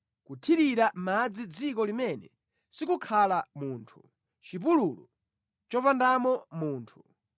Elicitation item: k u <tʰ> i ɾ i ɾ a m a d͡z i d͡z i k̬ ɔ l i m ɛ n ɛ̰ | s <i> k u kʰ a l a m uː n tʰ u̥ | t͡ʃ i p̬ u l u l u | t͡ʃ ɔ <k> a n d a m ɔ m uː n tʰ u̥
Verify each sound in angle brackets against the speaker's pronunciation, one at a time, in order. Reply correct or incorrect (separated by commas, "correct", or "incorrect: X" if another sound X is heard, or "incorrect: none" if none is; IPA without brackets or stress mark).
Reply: correct, correct, incorrect: p